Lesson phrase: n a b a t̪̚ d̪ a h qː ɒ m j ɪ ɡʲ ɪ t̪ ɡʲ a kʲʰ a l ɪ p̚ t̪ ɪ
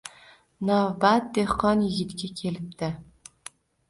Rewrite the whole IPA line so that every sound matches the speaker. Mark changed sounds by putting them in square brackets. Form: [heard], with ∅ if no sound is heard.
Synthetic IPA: n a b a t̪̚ d̪ [e] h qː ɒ [n] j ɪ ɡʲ ɪ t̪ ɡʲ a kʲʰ [e] l ɪ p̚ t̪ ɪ